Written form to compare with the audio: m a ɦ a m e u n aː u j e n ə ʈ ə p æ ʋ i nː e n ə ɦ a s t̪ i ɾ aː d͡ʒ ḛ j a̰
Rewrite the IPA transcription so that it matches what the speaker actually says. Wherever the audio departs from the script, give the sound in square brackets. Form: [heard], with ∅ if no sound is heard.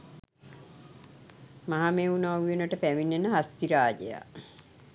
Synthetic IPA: m a ɦ a m e u n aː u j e n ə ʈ ə p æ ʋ i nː e n ə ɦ a s t̪ i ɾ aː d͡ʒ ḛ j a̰